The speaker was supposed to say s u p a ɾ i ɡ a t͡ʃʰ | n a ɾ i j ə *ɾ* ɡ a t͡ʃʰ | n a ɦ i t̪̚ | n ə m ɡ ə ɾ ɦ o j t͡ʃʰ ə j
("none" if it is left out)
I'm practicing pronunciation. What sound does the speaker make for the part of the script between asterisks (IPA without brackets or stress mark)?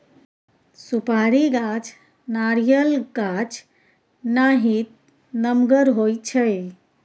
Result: l